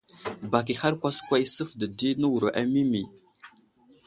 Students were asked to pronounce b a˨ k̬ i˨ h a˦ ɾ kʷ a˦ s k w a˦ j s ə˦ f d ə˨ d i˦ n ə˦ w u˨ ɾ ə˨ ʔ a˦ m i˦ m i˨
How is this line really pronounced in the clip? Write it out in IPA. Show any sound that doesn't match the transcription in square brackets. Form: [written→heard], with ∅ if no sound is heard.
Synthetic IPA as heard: b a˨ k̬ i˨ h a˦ ɾ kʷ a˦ s k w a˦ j s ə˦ f d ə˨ d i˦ n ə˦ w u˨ ɾ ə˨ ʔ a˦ m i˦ m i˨

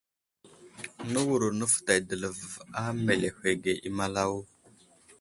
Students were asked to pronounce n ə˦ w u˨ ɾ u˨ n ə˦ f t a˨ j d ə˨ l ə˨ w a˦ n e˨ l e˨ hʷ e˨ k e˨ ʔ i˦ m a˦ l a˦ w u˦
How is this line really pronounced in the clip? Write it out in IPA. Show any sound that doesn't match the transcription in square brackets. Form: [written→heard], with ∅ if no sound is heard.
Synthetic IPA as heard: n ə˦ w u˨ ɾ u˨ n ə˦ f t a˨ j d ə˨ l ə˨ [w→v] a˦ [n→m] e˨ l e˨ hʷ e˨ [k→ɡ] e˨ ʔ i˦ m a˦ l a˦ w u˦

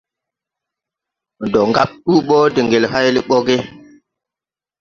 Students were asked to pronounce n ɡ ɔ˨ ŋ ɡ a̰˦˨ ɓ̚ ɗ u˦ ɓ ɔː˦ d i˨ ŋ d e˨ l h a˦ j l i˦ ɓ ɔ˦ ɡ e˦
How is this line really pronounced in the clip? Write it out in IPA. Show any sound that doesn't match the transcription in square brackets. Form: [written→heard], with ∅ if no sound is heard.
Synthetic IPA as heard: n [ɡ→d] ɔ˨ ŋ ɡ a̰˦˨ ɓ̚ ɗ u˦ ɓ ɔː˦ d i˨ ŋ [d→ɡ] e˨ l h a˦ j l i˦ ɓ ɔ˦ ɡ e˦

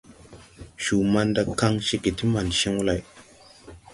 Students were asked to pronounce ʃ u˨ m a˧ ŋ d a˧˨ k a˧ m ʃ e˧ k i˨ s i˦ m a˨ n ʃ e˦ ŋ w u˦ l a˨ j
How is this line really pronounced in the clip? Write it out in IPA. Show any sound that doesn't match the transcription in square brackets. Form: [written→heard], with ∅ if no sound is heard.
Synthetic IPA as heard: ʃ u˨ m a˧ [ŋ→n] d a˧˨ k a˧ [m→ŋ] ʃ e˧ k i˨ [s→t] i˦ m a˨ n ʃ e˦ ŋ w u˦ l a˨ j

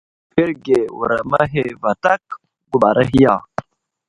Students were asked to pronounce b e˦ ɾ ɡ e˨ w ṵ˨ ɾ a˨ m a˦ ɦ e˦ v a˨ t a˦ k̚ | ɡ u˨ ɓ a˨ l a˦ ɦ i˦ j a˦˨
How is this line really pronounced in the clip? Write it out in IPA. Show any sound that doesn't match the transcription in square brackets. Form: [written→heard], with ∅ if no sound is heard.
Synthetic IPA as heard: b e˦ ɾ ɡ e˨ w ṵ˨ ɾ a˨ m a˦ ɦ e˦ v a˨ t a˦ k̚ | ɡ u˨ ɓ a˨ [l→ɾ] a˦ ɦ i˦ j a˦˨

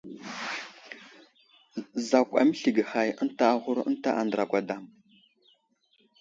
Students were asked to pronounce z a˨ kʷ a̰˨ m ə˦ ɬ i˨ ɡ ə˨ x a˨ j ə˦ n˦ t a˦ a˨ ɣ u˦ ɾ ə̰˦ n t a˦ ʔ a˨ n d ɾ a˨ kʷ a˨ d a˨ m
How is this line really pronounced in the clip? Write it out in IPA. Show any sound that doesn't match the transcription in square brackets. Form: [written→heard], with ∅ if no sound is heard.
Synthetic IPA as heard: z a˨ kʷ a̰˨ m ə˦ ɬ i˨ ɡ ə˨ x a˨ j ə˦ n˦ t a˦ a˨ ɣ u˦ ɾ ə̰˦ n t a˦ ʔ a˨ n d ɾ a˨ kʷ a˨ d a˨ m

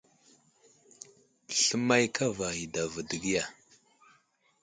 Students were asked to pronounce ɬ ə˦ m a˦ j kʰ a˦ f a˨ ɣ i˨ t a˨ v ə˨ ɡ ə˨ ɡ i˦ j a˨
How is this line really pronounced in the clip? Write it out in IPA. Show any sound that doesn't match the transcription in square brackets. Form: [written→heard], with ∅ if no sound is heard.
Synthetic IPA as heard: ɬ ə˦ m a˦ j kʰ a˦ [f→v] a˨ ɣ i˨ [t→d] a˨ v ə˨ [ɡ→d] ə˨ ɡ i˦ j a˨

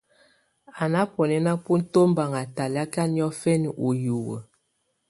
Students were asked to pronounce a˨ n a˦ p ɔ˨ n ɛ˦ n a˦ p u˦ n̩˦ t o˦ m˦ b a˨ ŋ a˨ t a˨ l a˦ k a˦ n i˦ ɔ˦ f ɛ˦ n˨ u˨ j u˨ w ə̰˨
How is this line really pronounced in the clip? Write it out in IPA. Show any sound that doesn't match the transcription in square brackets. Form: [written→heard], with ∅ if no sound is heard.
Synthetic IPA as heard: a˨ n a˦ p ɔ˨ n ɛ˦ n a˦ p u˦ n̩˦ t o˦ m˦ b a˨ ŋ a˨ t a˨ l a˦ k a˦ n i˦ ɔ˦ f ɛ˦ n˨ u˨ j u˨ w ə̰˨

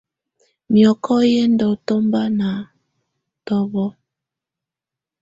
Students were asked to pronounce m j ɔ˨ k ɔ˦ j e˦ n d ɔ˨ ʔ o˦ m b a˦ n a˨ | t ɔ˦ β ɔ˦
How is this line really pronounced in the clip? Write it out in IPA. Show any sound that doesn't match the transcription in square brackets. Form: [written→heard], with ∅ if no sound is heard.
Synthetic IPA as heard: m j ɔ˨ k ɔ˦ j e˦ n d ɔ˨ [ʔ→t] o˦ m b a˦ n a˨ | t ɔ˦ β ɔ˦

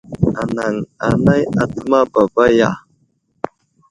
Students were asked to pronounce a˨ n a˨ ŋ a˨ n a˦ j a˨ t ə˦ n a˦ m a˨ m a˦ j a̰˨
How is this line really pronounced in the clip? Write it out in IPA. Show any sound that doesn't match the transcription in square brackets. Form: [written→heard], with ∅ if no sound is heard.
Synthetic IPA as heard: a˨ n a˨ ŋ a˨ n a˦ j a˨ t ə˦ [n→m] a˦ [m→b] a˨ [m→b] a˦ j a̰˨

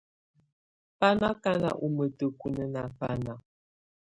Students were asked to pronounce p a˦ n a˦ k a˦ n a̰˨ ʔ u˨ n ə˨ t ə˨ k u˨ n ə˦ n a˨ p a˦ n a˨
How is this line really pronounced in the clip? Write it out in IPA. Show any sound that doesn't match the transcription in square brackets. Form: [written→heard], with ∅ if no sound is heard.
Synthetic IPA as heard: p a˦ n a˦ k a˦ n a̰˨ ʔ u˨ [n→m] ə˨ t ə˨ k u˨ n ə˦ n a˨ p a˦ n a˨

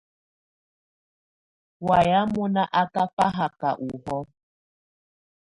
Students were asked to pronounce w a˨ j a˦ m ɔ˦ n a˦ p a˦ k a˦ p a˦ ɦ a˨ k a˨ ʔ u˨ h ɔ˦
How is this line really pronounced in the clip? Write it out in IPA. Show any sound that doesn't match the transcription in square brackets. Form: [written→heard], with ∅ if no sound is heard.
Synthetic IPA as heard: w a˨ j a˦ m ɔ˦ n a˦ [p→ʔ] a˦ k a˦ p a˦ ɦ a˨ k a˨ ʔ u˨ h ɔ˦

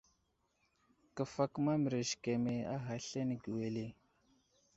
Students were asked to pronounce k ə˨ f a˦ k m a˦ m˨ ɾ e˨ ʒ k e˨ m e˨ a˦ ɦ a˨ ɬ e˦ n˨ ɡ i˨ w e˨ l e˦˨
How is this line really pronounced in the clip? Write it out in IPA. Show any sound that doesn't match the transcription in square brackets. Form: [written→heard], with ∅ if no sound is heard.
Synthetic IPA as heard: k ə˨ f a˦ k m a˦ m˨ ɾ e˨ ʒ k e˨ m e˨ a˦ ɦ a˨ ɬ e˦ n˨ ɡ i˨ w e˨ l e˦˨

